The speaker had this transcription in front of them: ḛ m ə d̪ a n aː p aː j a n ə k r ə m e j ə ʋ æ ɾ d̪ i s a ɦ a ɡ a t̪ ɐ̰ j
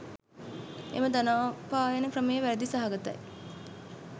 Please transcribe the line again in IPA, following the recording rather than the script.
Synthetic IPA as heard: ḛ m ə d̪ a n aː p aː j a n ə k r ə m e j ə ʋ æ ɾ d̪ i s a ɦ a ɡ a t̪ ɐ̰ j